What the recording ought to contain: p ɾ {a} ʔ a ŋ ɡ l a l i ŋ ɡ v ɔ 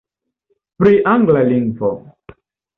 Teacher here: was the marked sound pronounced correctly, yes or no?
no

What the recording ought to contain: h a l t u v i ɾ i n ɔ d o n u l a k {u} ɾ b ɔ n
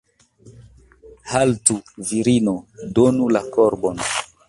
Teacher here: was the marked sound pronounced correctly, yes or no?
no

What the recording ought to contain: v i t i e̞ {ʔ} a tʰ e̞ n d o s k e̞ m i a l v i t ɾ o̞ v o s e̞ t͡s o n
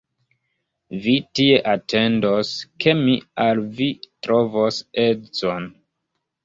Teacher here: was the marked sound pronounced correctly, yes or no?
yes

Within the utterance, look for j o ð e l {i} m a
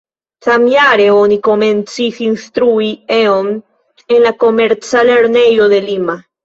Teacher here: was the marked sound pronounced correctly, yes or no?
yes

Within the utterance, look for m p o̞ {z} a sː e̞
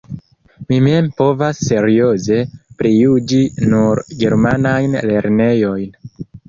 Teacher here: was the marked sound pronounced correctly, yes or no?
no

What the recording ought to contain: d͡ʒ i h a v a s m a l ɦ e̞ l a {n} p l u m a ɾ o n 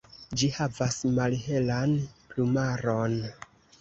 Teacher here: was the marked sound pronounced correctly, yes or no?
yes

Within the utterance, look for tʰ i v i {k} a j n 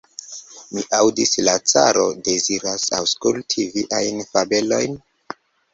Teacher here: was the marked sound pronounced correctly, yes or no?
no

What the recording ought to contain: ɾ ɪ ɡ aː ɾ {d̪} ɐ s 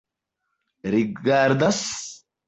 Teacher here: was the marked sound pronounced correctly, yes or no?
yes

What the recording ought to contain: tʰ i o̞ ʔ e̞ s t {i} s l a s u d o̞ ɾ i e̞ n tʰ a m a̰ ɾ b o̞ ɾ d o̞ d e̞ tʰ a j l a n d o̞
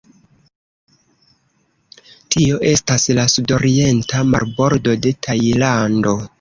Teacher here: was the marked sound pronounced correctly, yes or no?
no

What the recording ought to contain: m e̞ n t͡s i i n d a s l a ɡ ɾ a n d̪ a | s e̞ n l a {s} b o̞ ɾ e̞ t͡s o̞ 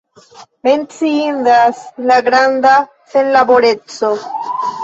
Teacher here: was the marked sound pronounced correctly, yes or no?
no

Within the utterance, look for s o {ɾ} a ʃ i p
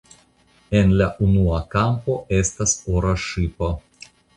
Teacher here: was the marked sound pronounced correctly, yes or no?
yes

